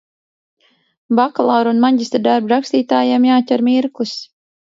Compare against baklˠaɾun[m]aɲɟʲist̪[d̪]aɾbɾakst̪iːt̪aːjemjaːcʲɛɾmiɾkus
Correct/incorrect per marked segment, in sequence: correct, correct

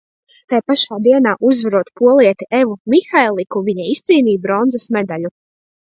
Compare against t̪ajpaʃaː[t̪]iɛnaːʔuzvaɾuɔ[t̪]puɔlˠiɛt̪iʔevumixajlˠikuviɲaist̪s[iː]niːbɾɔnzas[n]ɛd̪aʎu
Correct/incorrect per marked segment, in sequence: incorrect: d̪, correct, correct, incorrect: m

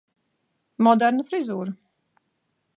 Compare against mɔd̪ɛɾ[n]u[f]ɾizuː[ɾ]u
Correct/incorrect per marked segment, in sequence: correct, correct, correct

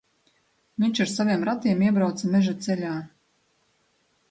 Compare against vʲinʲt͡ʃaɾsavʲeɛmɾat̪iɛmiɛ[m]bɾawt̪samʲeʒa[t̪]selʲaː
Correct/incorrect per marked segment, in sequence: incorrect: none, correct

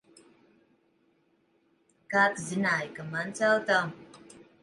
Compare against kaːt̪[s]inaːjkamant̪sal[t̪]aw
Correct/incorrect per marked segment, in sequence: incorrect: z, correct

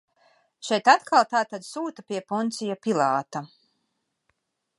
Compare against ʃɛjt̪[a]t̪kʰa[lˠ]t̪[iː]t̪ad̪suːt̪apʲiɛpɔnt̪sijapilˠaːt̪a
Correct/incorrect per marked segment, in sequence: correct, correct, incorrect: aː

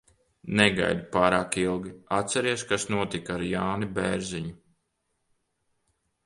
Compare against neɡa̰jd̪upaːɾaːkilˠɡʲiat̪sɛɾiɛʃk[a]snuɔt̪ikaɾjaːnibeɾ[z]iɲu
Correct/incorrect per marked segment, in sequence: correct, correct

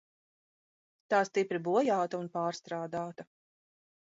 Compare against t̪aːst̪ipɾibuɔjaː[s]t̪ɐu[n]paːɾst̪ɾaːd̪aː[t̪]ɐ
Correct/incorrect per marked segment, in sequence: incorrect: none, correct, correct

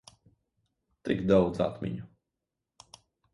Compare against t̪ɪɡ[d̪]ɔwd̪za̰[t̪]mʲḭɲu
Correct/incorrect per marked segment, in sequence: correct, correct

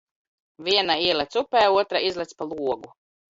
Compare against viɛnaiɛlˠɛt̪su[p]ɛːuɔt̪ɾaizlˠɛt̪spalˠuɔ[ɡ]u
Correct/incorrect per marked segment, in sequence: correct, correct

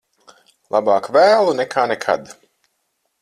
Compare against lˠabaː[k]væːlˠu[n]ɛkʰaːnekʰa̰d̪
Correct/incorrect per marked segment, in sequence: correct, correct

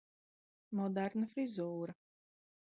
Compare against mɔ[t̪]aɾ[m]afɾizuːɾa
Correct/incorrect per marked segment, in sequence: incorrect: d̪, incorrect: n

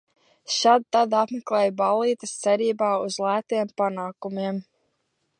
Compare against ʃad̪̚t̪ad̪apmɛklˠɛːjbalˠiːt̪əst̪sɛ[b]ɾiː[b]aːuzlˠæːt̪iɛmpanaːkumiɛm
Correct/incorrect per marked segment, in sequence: incorrect: none, correct

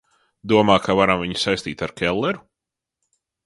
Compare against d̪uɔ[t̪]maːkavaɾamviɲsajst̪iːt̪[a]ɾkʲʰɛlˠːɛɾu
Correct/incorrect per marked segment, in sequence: incorrect: none, correct

